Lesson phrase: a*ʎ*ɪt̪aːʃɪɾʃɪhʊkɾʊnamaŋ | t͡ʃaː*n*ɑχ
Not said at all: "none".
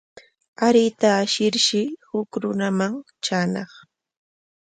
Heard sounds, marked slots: ɾ, n

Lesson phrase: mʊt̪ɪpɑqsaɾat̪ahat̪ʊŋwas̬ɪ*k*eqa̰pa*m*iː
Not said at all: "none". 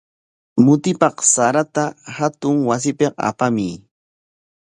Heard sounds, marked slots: p, m

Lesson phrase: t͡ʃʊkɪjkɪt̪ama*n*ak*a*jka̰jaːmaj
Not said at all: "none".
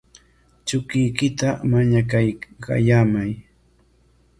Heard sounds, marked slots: ɲ, a

